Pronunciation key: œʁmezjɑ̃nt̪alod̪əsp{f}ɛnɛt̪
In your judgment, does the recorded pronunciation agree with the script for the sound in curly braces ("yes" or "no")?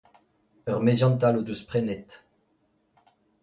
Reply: no